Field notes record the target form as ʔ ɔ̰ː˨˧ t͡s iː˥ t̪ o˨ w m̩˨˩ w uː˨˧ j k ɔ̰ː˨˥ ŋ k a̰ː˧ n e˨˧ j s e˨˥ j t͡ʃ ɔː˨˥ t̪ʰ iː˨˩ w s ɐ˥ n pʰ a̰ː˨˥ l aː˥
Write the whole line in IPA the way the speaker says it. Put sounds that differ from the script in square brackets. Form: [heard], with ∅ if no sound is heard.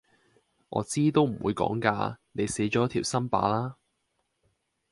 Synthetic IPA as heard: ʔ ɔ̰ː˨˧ t͡s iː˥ t̪ [o˥] w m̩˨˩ w uː˨˧ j k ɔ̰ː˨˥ ŋ k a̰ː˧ n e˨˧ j s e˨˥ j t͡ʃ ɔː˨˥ t̪ʰ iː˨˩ w s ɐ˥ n [p] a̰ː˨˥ l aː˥